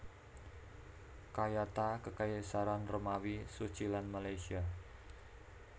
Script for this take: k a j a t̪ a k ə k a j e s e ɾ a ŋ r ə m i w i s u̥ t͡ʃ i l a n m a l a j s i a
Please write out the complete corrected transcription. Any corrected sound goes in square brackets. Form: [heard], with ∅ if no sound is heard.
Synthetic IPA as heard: k a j a t̪ a k ə k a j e s [a] ɾ a [n] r ə m [a] w i s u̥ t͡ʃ i l a n m a l a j s i a